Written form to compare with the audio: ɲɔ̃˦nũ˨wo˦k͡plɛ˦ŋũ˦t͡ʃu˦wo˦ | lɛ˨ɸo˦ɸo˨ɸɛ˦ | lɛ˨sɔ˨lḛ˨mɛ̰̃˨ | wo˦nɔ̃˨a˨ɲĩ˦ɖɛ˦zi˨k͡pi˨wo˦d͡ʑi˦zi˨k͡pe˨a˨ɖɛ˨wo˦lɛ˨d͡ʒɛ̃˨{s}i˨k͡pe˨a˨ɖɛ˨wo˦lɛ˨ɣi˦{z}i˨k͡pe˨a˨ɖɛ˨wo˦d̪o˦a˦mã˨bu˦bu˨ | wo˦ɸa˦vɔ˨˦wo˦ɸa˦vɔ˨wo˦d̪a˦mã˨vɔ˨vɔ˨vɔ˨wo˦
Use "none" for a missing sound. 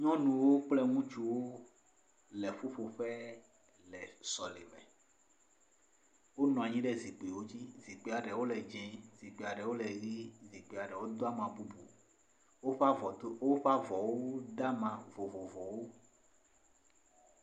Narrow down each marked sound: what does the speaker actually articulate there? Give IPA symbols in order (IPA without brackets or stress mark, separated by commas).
z, z